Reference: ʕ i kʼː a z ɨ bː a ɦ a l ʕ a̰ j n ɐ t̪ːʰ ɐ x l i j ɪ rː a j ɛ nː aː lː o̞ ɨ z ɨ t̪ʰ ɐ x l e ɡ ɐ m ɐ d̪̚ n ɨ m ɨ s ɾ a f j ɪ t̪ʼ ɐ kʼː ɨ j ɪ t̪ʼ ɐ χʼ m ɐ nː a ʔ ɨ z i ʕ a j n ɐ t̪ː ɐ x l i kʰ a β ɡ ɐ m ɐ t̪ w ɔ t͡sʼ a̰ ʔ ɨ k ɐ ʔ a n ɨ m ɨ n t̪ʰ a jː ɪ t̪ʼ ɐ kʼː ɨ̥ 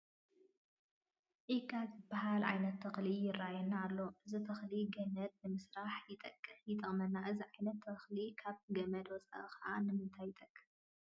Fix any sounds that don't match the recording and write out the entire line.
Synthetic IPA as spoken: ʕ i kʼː a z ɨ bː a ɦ a l ʕ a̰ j n ɐ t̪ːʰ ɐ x l i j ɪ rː a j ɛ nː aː lː o̞ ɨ z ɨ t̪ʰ ɐ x l i ɡ ɐ m ɐ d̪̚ n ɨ m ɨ s ɾ a ħ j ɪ t̪ʼ ɐ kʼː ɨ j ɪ t̪ʼ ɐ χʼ m ɐ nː a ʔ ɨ z i ʕ a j n ɐ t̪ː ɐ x l i kʰ a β ɡ ɐ m ɐ d̪ w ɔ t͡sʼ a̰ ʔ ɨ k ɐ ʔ a n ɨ m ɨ n t̪ʰ a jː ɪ t̪ʼ ɐ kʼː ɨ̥